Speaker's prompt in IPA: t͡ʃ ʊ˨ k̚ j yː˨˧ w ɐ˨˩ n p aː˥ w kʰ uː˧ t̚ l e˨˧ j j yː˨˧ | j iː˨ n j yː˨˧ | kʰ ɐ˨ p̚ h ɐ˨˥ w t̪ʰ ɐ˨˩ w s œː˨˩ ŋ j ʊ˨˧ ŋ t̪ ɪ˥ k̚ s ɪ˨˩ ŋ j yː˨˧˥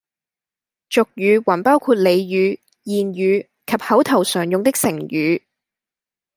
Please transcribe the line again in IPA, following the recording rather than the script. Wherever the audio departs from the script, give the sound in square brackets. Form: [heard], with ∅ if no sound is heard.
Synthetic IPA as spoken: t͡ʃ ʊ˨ k̚ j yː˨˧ w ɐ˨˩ n p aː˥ w kʰ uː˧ t̚ l e˨˧ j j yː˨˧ | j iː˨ n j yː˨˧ | kʰ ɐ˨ p̚ h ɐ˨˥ w t̪ʰ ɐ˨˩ w s œː˨˩ ŋ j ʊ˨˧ ŋ t̪ ɪ˥ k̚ s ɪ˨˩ ŋ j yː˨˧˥